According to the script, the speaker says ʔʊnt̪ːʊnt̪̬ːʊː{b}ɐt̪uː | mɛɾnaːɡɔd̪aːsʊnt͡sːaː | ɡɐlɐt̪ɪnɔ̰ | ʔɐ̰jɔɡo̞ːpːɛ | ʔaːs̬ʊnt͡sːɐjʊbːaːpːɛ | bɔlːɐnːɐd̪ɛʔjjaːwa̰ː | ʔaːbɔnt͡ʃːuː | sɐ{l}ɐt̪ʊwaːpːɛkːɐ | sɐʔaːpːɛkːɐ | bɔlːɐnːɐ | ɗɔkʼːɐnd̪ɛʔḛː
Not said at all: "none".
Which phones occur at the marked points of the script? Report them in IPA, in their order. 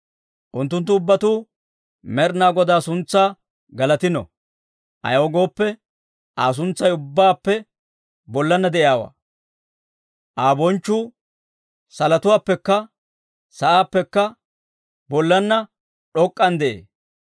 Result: bː, l

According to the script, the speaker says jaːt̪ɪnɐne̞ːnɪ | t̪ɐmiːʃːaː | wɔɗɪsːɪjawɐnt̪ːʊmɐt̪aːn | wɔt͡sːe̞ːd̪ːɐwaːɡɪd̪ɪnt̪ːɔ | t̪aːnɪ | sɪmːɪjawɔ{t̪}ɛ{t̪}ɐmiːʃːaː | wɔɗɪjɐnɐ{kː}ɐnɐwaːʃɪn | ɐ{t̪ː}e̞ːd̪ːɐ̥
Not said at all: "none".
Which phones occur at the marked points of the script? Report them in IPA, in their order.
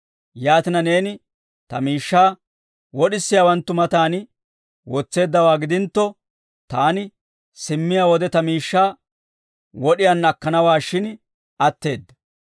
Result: d̪, t̪, kː, t̪ː

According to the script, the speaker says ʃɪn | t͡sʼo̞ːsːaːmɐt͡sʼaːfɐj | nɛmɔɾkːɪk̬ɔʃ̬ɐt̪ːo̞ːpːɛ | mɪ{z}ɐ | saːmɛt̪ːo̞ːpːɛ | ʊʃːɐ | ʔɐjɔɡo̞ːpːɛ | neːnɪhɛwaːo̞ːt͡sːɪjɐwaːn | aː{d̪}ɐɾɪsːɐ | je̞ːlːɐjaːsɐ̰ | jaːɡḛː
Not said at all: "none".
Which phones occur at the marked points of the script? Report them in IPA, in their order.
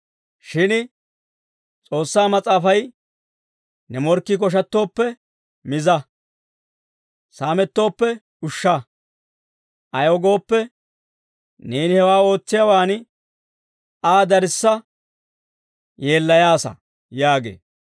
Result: z, d̪

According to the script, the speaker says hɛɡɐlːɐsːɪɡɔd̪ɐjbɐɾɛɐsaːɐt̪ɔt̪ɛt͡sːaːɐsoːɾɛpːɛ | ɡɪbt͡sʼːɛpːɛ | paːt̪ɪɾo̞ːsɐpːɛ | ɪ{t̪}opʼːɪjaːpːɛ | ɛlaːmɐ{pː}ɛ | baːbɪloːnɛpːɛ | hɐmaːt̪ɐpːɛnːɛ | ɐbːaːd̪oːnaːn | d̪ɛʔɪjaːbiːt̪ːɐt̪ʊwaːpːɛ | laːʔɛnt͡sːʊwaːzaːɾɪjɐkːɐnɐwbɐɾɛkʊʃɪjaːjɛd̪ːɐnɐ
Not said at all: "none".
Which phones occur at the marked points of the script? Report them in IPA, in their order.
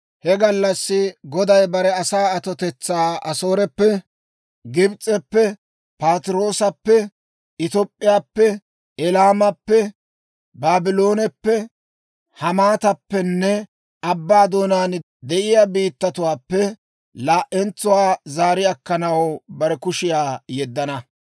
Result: t̪, pː

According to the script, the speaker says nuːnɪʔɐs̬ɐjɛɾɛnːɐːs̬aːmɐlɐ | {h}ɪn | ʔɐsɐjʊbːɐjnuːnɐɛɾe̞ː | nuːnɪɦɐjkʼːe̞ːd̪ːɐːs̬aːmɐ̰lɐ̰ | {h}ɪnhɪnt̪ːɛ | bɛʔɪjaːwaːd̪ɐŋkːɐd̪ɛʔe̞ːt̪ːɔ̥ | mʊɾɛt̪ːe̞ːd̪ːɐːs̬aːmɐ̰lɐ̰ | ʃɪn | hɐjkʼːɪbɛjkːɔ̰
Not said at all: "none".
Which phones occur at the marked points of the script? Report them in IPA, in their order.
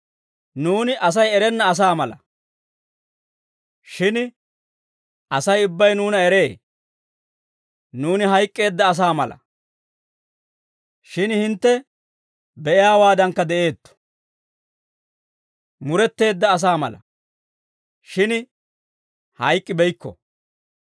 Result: ʃ, ʃ

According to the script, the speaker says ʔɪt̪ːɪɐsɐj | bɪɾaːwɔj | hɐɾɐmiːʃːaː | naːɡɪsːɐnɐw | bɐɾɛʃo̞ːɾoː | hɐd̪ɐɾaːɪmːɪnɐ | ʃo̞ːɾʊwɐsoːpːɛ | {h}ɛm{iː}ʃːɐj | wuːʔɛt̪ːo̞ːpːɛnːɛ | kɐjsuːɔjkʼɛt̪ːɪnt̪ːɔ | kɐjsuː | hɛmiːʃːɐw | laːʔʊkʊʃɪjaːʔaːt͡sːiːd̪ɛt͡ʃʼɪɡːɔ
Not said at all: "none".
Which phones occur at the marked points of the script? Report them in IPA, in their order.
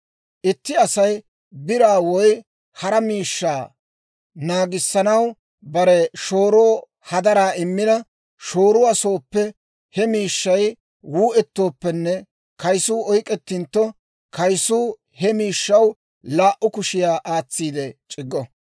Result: h, iː

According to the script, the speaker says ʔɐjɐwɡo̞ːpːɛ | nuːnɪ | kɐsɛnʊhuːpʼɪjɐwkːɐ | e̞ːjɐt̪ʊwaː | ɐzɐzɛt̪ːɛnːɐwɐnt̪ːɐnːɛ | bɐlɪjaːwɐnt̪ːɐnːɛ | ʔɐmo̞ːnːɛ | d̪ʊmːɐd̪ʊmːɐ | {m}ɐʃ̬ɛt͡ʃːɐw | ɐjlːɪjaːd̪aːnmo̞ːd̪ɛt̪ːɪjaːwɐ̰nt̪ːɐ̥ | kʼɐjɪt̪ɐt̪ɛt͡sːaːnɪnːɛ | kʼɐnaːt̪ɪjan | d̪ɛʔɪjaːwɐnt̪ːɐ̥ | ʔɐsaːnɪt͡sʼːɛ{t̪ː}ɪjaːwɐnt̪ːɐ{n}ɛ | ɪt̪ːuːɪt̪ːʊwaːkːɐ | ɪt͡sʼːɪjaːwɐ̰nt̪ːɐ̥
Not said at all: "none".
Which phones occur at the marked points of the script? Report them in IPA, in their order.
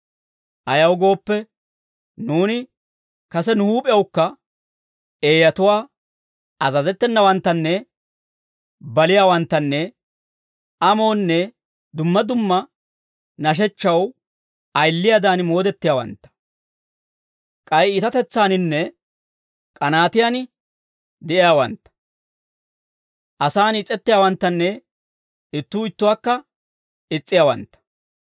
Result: n, t̪ː, nː

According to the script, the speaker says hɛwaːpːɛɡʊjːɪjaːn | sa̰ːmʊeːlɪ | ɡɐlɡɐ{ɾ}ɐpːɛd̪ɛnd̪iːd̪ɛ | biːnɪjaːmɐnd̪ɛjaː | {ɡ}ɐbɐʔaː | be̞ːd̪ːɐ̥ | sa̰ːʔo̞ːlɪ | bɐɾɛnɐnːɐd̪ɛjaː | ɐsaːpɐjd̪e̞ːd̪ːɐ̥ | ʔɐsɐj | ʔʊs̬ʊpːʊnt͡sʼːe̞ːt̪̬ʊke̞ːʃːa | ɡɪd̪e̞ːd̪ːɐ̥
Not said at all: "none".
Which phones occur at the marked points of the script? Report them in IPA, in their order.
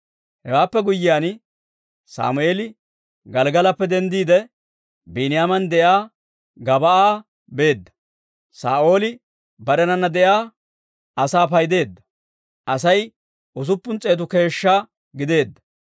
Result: l, ɡ

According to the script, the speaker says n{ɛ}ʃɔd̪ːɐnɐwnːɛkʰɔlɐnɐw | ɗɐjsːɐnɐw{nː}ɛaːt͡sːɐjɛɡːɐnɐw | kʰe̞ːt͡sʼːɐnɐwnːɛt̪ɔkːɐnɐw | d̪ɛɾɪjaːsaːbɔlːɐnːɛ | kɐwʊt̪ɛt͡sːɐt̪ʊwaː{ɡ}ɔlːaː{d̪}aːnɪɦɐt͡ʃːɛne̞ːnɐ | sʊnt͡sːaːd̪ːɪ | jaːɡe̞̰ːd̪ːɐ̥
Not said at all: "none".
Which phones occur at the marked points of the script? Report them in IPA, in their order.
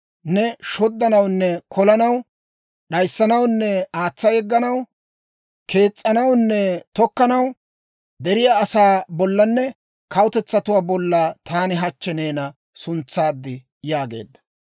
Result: ɛ, nː, b, t̪

